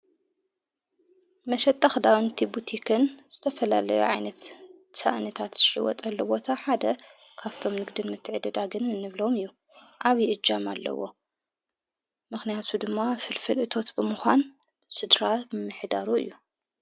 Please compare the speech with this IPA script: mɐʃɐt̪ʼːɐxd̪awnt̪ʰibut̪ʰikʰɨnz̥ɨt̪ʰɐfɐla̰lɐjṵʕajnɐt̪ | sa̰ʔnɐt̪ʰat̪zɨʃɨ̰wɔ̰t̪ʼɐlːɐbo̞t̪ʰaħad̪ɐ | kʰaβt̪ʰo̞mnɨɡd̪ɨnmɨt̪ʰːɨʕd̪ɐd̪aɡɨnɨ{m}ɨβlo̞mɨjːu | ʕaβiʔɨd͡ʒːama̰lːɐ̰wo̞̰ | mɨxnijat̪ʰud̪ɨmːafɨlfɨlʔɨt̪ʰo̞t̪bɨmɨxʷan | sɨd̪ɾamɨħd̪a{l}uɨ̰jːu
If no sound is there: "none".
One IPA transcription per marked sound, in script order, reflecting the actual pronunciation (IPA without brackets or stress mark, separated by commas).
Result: n, ɾ